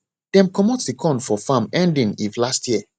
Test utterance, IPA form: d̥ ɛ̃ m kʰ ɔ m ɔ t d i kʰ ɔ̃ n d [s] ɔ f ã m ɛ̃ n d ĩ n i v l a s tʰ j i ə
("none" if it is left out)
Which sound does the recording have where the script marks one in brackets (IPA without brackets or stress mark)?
f